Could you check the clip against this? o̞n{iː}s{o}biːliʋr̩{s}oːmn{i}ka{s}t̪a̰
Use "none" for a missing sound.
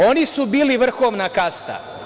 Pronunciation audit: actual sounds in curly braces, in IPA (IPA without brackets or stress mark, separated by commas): i, u, x, a, s